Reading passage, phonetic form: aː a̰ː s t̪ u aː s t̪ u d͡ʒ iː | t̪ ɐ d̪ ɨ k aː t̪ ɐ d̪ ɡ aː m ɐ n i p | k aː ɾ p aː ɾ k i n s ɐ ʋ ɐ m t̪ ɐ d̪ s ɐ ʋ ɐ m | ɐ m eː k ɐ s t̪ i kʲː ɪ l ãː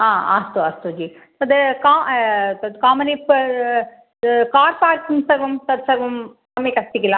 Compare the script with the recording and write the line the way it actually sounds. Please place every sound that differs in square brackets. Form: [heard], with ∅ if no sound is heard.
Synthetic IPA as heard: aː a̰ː s t̪ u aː s t̪ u d͡ʒ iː | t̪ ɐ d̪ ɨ k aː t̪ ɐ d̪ [k] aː m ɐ n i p | k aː ɾ p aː ɾ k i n s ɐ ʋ ɐ m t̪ ɐ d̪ s ɐ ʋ ɐ m | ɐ m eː k ɐ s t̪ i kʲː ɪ l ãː